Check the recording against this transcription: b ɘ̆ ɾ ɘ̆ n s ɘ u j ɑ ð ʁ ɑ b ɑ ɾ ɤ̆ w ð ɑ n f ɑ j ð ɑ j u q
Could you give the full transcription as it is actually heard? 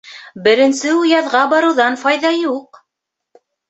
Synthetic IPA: b ɘ̆ ɾ ɘ̆ n s ɘ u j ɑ ð ʁ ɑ b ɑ ɾ ɤ̆ w ð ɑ n f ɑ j ð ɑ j u q